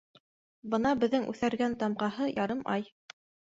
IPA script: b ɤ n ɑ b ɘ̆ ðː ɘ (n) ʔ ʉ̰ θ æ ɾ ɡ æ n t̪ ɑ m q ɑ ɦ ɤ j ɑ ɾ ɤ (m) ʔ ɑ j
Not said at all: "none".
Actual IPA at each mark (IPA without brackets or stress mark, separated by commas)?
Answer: ŋ, m